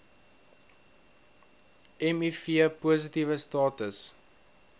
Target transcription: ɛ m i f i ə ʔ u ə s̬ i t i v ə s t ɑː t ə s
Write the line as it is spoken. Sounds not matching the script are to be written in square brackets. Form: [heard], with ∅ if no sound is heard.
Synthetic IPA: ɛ m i f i ə [p] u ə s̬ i t i v ə s t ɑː t ə s